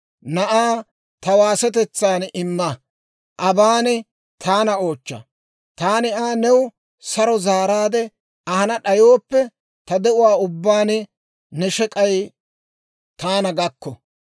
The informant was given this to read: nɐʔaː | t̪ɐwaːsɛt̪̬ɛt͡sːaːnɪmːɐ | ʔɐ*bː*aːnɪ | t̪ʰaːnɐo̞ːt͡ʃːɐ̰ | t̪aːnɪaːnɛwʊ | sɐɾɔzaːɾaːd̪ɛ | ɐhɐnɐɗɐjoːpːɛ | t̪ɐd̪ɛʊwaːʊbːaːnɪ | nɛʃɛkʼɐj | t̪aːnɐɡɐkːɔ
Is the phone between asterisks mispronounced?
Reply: yes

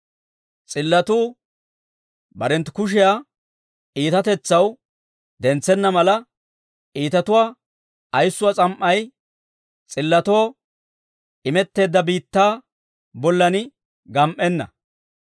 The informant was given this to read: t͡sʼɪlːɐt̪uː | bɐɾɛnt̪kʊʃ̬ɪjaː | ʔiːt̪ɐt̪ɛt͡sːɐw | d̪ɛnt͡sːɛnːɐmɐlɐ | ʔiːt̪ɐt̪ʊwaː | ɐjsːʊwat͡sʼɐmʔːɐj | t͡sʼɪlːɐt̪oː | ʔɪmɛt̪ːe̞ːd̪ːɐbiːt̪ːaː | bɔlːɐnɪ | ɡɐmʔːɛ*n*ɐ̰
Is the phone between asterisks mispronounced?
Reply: yes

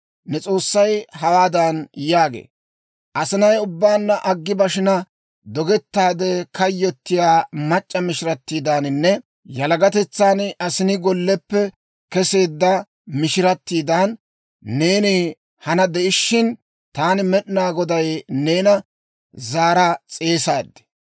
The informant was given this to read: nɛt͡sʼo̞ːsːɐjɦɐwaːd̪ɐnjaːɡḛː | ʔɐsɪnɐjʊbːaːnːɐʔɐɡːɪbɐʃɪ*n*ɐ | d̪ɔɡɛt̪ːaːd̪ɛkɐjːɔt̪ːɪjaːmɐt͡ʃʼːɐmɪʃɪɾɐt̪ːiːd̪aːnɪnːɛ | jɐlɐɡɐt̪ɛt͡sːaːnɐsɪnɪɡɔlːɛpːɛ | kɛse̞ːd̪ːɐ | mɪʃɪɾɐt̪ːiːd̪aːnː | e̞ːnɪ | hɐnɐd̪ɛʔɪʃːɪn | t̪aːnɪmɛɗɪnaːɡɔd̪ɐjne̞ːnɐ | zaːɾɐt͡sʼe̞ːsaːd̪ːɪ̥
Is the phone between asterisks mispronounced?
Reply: no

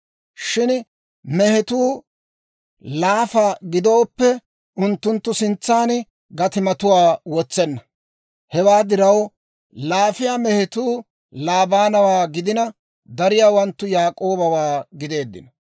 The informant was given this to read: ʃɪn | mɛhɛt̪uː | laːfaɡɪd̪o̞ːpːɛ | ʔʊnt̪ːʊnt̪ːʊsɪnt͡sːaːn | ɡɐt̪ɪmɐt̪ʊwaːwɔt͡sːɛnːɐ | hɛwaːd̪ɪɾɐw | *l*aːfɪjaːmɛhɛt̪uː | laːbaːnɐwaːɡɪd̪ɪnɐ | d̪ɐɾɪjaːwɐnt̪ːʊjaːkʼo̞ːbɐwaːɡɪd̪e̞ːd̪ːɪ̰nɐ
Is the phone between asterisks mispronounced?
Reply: no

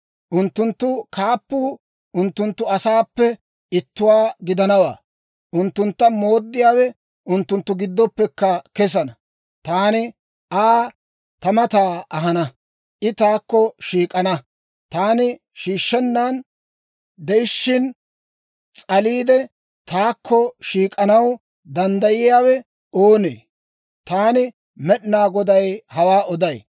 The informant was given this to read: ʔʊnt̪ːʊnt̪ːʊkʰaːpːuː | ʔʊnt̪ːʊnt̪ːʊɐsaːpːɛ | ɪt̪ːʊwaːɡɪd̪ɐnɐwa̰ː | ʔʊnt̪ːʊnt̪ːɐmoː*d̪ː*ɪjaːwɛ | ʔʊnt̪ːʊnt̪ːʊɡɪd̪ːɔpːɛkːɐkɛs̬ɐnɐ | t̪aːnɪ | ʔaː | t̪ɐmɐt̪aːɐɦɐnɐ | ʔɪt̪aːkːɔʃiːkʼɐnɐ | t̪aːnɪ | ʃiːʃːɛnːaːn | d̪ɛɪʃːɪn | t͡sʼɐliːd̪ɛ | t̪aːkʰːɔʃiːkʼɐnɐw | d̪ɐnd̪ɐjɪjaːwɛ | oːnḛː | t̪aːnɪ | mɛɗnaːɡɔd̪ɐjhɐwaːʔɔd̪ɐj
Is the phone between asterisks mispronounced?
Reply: no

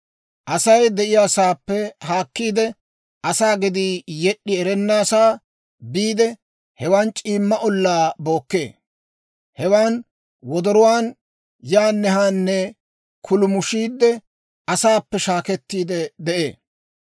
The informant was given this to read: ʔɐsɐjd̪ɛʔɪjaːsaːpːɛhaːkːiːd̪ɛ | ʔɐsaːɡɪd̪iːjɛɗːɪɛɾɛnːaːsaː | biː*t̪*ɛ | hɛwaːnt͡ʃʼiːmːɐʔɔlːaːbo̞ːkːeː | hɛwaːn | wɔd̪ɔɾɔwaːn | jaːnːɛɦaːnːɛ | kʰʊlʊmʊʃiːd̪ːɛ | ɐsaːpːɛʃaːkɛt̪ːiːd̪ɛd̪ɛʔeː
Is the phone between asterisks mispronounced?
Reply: yes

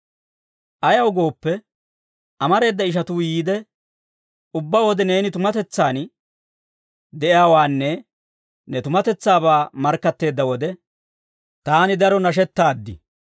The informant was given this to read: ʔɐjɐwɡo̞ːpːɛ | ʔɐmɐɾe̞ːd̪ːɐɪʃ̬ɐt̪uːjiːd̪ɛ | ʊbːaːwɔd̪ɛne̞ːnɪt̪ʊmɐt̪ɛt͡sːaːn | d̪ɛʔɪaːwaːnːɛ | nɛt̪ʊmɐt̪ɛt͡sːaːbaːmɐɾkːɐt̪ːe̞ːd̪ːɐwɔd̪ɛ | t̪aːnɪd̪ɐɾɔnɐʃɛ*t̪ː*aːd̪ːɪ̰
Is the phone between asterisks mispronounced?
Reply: no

